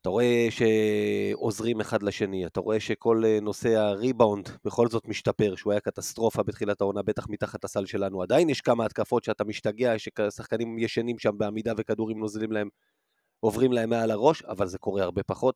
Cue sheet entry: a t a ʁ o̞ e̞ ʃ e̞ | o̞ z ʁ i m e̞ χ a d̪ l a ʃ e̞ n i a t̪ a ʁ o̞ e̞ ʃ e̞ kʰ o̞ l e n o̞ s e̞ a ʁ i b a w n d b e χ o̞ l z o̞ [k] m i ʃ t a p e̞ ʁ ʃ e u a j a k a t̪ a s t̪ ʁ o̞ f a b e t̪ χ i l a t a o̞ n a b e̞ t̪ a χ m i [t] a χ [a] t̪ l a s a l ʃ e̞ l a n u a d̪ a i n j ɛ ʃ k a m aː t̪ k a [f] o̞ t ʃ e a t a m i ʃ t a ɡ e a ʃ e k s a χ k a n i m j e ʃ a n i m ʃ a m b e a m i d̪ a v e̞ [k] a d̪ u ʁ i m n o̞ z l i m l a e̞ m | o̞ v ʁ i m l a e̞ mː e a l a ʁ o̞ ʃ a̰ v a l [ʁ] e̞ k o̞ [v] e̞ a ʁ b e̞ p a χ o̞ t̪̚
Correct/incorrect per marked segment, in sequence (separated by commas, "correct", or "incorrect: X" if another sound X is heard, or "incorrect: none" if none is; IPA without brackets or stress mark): incorrect: t, correct, correct, correct, correct, incorrect: z, incorrect: ʁ